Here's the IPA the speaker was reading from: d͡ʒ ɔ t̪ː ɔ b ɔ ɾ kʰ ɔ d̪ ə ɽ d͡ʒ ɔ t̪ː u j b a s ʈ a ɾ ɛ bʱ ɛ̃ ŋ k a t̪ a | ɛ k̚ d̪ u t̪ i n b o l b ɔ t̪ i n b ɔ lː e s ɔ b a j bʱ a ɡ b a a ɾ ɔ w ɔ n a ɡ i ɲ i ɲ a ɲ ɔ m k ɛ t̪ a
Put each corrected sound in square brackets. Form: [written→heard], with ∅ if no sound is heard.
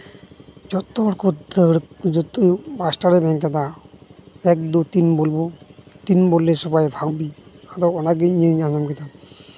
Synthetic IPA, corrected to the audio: d͡ʒ ɔ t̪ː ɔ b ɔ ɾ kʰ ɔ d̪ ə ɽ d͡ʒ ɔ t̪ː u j b a s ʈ a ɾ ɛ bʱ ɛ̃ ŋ k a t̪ a | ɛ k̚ d̪ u t̪ i n b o l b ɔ t̪ i n b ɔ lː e s ɔ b a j bʱ a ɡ b [a→i] a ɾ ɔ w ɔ n a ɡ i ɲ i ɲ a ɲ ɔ m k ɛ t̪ a